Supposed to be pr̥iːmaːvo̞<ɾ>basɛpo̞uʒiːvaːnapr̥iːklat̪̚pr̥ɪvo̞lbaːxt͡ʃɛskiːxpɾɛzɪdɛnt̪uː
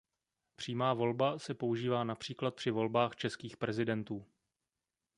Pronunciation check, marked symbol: incorrect: l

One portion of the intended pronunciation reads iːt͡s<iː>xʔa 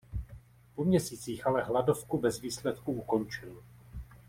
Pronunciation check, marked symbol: correct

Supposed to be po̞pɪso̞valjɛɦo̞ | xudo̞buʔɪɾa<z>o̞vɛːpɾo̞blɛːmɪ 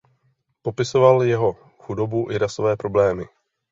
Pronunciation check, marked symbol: incorrect: s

